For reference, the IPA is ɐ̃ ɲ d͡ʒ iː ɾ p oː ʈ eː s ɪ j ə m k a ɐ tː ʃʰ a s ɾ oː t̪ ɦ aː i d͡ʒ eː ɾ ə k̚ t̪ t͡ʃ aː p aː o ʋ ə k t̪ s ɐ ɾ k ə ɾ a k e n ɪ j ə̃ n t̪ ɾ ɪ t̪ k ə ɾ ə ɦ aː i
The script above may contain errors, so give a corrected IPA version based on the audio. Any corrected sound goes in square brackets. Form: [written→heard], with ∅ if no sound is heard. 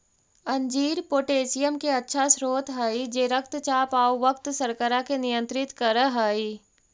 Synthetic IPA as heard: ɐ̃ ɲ d͡ʒ iː ɾ p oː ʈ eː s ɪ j ə m k [a→e] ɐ tː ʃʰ a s ɾ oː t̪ ɦ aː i d͡ʒ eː ɾ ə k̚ t̪ t͡ʃ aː p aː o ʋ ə k t̪ s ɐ ɾ k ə ɾ a k e n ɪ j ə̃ n t̪ ɾ ɪ t̪ k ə ɾ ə ɦ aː i